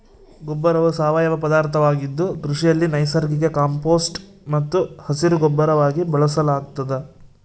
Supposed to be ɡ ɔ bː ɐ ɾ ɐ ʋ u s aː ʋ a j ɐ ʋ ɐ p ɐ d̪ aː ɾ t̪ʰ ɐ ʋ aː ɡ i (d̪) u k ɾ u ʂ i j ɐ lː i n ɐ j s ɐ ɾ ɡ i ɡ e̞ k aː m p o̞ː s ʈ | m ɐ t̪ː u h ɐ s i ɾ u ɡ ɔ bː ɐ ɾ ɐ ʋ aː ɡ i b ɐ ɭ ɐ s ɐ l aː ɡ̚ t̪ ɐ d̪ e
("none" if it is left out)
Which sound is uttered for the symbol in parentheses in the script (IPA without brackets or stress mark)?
d̪ː